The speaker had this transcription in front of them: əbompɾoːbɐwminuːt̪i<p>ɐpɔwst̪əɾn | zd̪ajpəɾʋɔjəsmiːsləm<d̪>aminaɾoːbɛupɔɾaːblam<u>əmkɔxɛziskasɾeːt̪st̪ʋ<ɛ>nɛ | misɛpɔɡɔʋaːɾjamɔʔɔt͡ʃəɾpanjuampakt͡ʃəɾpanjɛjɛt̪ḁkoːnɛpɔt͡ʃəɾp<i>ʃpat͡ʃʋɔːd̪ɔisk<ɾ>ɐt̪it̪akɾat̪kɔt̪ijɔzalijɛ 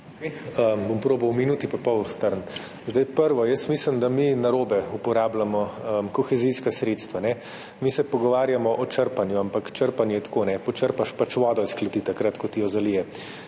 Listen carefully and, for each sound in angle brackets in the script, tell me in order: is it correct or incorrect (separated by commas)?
correct, correct, incorrect, incorrect, incorrect, incorrect